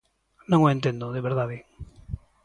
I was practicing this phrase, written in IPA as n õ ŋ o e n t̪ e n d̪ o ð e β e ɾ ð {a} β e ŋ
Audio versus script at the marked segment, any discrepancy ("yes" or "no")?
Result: no